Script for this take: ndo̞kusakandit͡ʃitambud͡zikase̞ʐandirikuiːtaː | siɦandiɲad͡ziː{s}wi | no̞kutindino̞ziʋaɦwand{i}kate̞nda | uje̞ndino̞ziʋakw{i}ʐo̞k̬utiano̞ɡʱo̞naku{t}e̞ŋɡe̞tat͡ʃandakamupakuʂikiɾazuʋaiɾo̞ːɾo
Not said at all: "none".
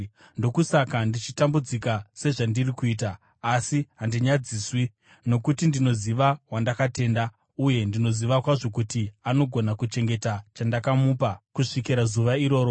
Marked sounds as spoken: s, a, a, t͡ʃ

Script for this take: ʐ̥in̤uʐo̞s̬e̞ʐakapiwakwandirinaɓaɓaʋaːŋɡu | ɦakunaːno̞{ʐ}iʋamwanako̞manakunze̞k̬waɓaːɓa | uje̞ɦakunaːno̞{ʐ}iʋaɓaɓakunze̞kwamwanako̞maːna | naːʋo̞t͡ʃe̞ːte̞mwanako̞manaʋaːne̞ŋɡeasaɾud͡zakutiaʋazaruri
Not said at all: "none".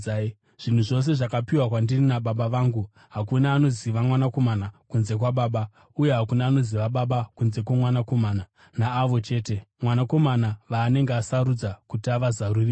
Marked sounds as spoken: z, z

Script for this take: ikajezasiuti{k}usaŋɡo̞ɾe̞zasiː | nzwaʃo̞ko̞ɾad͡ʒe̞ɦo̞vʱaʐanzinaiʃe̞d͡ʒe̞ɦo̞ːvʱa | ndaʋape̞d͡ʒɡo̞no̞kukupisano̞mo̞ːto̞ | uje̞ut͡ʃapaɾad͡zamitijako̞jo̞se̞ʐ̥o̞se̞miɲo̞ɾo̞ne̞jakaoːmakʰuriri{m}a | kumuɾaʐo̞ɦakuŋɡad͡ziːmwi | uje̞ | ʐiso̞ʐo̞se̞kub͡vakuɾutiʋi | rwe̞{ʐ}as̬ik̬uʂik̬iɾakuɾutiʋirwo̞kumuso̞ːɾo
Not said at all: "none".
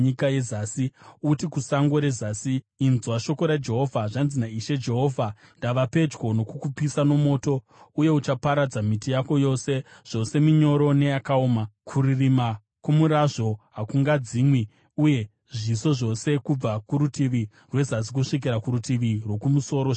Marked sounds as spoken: k, m, z

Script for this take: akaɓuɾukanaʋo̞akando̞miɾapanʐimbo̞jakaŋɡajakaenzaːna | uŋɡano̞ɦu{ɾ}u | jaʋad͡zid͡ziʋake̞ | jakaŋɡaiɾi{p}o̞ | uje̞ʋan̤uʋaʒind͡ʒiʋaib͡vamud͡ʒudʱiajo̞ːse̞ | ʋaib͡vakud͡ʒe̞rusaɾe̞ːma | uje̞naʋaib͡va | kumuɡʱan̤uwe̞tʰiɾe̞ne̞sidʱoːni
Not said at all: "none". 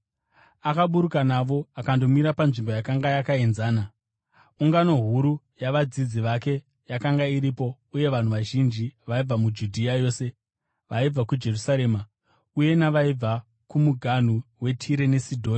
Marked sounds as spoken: ɾ, p

